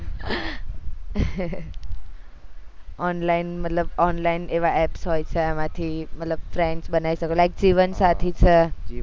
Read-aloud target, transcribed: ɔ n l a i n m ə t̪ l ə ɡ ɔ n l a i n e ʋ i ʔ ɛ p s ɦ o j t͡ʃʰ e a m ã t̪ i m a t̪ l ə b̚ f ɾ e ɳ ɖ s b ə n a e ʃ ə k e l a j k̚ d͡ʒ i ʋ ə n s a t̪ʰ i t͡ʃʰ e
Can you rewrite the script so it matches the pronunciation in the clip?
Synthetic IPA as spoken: ɔ n l a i n m ə t̪ l ə b ɔ n l a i n e ʋ a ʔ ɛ p s ɦ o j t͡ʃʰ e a m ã t̪ʰ i m ə t̪ l ə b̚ f ɾ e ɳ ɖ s b ə n a i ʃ ə k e l a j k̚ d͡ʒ i ʋ ə n s a t̪ʰ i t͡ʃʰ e